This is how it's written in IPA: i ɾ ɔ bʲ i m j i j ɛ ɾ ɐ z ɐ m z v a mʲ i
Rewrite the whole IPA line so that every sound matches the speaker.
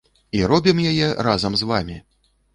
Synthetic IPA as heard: i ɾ ɔ bʲ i m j a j ɛ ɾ a z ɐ m z v a mʲ i